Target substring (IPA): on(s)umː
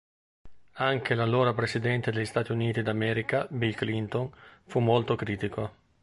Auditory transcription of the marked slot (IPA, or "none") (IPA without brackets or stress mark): f